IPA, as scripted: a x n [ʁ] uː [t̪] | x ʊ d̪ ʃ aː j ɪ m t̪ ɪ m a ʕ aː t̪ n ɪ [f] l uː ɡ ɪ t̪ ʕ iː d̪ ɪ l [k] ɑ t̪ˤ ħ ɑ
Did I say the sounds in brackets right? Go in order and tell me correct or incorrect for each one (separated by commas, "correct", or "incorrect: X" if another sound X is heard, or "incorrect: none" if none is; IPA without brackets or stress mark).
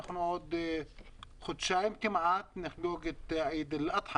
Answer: incorrect: ʕ, incorrect: d̪, incorrect: x, incorrect: ʔ